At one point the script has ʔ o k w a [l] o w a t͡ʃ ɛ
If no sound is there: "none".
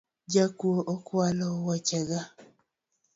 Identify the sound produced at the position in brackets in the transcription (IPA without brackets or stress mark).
l